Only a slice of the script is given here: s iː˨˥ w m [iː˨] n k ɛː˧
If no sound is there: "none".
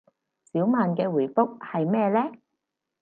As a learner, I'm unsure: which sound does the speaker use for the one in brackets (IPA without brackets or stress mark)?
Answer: aː˨